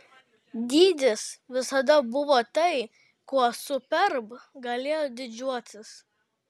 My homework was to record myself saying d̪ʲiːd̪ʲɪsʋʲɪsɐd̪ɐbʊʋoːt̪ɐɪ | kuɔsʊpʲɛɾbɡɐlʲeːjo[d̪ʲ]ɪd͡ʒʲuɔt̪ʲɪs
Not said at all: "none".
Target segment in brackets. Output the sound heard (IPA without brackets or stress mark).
d̪ʲ